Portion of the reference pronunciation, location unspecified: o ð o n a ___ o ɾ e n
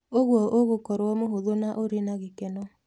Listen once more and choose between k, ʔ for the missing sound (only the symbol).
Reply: ʔ